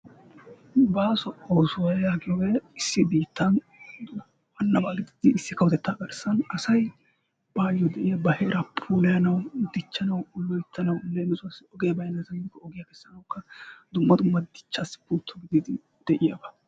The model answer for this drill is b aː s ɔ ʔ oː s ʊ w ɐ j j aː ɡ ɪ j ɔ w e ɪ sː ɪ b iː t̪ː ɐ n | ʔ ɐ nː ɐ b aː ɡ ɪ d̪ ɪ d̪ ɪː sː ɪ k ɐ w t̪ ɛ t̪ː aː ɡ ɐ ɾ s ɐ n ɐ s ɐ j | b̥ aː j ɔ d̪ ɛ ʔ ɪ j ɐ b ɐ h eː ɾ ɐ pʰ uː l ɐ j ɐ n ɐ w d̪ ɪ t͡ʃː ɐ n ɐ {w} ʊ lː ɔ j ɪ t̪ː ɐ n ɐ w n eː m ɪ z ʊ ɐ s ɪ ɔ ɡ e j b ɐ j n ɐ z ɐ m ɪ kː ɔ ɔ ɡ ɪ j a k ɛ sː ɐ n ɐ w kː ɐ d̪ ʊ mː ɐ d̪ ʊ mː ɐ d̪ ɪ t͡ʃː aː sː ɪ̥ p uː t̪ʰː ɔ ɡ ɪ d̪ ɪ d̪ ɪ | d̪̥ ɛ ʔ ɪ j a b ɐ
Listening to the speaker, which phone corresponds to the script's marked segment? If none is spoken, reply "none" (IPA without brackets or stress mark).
w